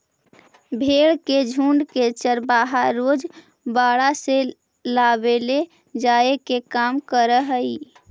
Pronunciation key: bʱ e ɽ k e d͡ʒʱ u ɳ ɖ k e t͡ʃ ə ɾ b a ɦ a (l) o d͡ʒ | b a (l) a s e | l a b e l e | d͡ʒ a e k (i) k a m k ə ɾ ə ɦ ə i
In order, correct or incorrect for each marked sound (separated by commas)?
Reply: incorrect, incorrect, incorrect